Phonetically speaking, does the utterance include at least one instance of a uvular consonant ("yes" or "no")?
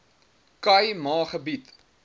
yes